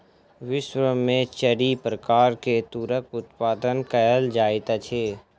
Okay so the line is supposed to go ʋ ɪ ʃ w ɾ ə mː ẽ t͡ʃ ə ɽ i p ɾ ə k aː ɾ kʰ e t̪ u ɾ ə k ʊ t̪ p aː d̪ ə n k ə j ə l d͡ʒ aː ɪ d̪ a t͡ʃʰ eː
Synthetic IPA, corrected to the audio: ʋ ɪ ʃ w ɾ ə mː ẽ t͡ʃ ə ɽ i p ɾ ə k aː ɾ k e t̪ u ɾ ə k ʊ t̪ p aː d̪ ə n k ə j ə l d͡ʒ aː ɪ t̪ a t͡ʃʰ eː